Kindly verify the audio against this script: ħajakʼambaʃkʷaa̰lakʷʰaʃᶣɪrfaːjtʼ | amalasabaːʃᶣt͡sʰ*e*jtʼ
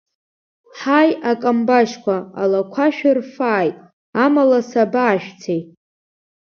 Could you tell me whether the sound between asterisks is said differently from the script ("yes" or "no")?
no